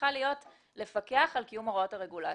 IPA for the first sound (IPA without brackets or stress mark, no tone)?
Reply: a